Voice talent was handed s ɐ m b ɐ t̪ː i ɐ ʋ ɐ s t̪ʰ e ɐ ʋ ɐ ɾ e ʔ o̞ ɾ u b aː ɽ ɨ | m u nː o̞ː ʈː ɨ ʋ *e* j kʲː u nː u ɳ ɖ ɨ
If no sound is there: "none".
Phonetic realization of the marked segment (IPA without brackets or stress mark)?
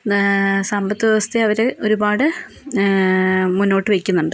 e